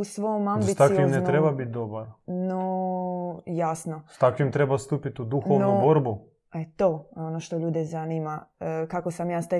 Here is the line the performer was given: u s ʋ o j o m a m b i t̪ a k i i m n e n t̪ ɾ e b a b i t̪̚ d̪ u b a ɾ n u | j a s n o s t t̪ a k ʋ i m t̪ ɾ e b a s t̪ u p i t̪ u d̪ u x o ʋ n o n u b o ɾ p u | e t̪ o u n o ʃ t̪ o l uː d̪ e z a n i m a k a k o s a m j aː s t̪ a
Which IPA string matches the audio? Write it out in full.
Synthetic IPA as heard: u s ʋ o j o m a m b i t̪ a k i i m n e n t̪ ɾ e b a b i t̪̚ d̪ o b a ɾ n o | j a s n o s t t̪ a k ʋ i m t̪ ɾ e b a s t̪ u p i t̪ u d̪ u x o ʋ n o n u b o ɾ b u | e t̪ o o n o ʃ t̪ o ʎ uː d̪ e z a n i m a k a k o s a m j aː s t̪ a